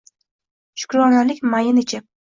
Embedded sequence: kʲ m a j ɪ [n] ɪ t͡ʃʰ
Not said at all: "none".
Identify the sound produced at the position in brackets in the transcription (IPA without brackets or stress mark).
n